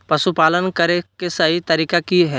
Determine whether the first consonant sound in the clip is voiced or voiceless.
voiceless